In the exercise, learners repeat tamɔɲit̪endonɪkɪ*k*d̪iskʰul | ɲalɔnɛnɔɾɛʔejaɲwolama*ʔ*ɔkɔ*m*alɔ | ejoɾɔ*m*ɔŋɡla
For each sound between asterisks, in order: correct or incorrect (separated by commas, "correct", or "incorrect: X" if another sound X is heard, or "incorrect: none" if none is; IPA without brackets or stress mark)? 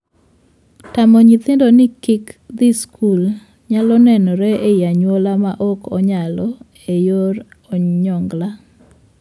correct, correct, incorrect: ɲ, incorrect: ɲ